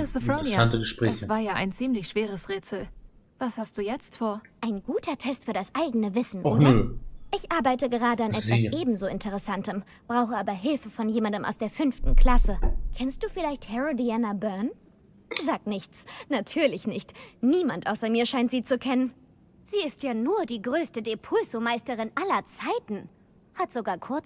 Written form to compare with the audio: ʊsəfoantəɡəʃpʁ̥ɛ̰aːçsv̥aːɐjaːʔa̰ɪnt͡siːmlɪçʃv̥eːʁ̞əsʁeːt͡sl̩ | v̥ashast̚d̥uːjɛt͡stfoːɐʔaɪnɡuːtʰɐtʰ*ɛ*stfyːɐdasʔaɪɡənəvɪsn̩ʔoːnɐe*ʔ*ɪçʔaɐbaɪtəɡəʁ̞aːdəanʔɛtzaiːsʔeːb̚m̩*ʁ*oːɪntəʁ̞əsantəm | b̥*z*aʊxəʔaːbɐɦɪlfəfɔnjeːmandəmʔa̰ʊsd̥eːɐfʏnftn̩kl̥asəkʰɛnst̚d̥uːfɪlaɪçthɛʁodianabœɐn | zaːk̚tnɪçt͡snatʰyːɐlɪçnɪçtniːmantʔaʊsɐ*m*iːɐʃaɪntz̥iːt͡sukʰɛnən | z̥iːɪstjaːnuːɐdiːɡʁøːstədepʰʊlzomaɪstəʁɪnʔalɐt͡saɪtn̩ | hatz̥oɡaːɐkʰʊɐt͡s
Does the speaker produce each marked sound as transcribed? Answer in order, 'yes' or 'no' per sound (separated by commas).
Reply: yes, yes, no, no, yes